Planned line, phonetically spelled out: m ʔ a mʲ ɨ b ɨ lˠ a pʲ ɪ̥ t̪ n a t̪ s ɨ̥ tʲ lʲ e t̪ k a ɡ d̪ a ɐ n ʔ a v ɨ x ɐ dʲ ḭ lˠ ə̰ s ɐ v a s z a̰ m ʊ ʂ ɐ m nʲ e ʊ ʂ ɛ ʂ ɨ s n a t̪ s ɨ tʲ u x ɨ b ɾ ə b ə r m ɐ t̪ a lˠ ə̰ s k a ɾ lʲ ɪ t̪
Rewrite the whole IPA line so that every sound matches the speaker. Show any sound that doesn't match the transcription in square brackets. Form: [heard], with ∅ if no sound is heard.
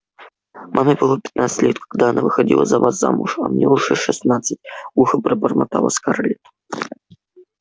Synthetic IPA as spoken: m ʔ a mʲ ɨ b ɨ lˠ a pʲ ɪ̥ t̪ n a t̪ s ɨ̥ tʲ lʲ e t̪ k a ɡ d̪ a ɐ n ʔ a v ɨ x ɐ dʲ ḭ lˠ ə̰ [z] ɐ v a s z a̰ m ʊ ʂ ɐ m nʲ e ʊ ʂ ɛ ʂ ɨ s n a t̪ s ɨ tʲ u x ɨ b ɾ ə b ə r m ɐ t̪ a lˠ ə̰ s k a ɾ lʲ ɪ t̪